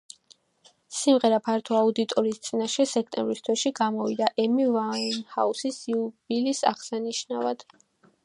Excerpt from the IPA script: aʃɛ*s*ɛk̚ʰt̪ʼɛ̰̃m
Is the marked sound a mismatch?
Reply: no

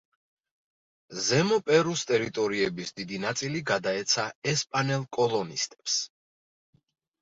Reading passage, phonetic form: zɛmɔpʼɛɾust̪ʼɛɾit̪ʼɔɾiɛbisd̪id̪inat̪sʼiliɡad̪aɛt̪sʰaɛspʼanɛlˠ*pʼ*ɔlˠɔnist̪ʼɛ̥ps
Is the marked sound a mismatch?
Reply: yes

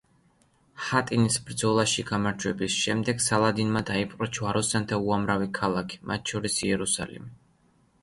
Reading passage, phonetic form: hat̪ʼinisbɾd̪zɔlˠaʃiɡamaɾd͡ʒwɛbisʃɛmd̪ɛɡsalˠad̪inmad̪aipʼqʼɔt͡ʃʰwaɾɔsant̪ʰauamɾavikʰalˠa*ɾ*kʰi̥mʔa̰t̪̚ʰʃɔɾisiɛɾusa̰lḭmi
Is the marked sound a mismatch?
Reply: yes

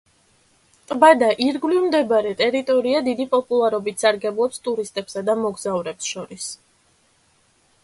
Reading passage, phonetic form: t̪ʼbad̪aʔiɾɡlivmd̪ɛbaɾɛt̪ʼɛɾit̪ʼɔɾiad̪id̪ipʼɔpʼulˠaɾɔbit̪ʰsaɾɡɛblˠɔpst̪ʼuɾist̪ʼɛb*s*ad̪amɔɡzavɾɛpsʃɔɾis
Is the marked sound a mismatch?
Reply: no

